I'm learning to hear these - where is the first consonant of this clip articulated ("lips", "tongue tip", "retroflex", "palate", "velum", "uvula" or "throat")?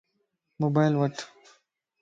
lips